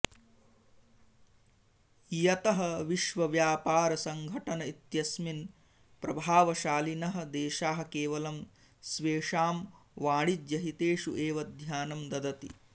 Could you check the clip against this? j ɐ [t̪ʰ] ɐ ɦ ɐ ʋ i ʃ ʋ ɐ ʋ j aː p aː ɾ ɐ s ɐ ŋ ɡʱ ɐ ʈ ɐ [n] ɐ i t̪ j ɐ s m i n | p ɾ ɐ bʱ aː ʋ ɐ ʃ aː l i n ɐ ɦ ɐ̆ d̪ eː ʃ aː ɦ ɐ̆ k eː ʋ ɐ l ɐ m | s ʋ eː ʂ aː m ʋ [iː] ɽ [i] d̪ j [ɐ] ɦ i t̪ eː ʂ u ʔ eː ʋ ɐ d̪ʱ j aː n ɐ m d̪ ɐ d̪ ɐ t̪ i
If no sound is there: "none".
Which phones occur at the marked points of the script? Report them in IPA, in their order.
t̪, n, aː, i, ɐ

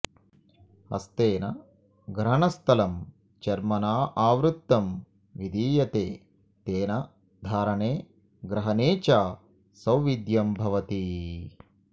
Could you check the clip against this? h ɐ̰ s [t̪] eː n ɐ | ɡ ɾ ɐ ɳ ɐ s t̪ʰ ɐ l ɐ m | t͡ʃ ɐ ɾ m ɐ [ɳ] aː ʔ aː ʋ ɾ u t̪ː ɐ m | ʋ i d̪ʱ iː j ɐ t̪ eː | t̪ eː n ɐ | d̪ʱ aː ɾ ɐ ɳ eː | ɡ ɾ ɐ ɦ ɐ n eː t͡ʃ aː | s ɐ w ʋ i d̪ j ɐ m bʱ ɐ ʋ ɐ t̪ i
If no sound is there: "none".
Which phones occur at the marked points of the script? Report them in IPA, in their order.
t̪, n

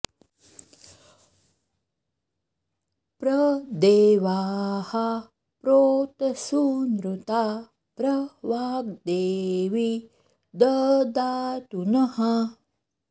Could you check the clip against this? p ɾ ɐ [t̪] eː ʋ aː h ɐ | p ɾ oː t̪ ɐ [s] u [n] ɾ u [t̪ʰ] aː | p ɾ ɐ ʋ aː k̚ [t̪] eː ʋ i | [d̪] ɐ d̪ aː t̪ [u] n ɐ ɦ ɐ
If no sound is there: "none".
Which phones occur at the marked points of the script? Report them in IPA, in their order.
d̪, s, n, t̪, d̪, d̪, u

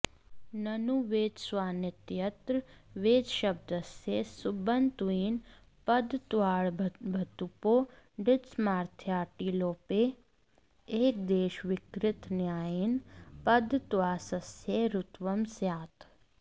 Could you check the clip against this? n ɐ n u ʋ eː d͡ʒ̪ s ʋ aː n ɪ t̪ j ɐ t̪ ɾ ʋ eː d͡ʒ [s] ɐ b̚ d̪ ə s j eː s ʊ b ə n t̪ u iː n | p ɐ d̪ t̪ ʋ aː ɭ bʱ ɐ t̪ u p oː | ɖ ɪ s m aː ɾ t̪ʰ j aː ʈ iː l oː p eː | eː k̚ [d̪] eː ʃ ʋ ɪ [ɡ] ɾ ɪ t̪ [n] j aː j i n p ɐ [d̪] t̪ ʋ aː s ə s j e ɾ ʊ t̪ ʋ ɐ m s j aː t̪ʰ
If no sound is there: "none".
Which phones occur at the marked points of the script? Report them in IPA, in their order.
ʃ, d̪, k, n, d̪

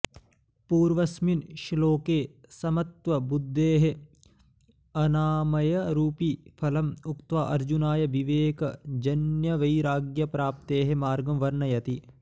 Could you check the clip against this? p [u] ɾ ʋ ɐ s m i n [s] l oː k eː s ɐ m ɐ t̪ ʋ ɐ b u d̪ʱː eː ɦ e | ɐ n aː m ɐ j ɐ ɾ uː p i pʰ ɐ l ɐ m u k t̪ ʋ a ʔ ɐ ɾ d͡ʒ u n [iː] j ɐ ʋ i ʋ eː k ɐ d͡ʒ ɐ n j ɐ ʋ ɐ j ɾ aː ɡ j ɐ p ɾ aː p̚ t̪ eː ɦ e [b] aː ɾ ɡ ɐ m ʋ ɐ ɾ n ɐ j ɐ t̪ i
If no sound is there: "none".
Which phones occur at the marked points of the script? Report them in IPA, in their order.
uː, ʃ, aː, m

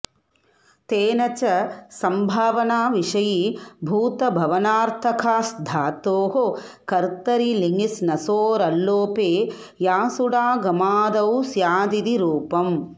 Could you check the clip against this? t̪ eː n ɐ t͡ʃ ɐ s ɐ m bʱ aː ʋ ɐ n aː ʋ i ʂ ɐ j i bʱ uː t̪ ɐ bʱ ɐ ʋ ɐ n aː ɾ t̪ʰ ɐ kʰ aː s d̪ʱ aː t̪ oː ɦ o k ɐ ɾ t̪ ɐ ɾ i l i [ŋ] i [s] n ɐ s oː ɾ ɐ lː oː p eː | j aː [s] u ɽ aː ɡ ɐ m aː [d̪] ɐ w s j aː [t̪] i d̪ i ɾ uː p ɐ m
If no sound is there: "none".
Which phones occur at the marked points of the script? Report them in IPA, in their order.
ŋ, s, s, d̪, d̪

